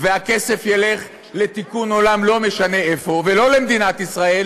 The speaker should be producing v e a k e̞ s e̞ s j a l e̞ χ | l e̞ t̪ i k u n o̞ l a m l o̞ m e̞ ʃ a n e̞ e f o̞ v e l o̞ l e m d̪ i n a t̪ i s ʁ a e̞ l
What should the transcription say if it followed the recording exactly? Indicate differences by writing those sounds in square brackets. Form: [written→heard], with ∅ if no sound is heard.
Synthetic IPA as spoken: v e a k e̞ s e̞ [s→f] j [a→e] l e̞ χ | l e̞ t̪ i k u n o̞ l a m l o̞ m e̞ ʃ a n e̞ e f o̞ v e l o̞ l e m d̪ i n a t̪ i s ʁ a e̞ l

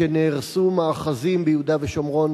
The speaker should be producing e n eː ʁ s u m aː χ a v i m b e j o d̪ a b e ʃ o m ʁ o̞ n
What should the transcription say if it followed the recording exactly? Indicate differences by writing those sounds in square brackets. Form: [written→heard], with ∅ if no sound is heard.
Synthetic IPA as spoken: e n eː ʁ s u m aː χ a [v→z] i m b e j [o→u] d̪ a [b→v] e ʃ o m ʁ o̞ n

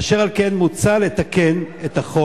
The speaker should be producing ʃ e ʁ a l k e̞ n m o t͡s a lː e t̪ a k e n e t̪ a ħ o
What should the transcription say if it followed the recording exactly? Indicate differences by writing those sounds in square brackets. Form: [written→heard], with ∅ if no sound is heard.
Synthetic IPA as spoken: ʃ e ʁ a l k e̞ n m [o→u] t͡s a [lː→l] e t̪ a k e n e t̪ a [ħ→χ] o

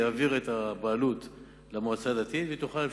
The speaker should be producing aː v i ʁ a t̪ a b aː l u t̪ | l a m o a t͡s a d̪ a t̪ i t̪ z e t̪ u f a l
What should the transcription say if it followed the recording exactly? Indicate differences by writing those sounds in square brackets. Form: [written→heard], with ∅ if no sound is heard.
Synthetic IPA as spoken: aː v i ʁ [a→e] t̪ a b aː l u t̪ | l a m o a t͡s a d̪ a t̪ i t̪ [z→v] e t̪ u [f→χ] a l

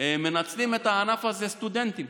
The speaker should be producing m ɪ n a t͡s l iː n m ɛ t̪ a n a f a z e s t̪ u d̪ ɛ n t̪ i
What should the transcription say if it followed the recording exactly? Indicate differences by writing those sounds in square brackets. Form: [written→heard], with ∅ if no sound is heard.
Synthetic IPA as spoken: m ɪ n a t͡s l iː [n→∅] m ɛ t̪ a n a f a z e s t̪ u d̪ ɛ n t̪ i

